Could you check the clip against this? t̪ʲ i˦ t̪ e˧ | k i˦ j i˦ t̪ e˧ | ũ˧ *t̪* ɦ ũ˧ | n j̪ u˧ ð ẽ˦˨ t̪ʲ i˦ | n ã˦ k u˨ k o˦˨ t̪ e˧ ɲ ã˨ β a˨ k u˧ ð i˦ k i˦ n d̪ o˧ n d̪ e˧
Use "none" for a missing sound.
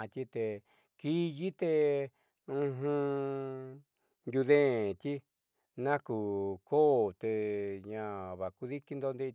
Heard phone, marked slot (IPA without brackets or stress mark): none